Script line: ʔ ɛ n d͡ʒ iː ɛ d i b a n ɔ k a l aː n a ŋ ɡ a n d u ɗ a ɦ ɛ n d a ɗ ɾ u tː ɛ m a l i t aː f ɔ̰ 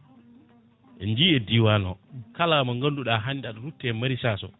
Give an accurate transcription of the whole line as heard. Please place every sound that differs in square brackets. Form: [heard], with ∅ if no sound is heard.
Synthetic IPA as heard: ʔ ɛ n d͡ʒ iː ɛ d i [w] a n ɔ k a l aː [m] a ŋ ɡ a n d u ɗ a ɦ [a] n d a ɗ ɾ u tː ɛ m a [ɾ] i [s] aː [s] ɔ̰